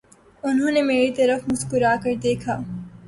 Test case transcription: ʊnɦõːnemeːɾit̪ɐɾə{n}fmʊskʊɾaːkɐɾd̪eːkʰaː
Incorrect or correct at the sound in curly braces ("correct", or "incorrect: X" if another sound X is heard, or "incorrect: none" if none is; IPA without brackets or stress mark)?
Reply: incorrect: none